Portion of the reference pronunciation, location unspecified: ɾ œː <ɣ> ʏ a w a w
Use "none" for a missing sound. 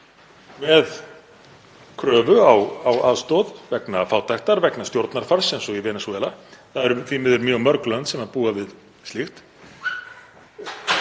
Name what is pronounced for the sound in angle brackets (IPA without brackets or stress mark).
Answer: v